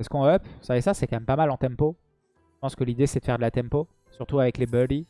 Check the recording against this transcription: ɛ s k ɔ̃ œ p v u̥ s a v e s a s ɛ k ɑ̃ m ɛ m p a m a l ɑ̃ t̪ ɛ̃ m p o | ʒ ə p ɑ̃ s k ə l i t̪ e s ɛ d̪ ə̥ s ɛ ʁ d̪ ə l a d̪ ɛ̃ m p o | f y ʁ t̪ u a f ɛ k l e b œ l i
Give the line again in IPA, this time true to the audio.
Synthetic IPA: ɛ s k ɔ̃ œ p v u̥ s a v e s a s ɛ k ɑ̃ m ɛ m p a m a l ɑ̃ t̪ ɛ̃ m p o | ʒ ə p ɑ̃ s k ə l i d̪ e s ɛ d̪ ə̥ f ɛ ʁ d̪ ə l a t̪ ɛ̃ m p o | s y ʁ t̪ u a v ɛ k l e b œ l i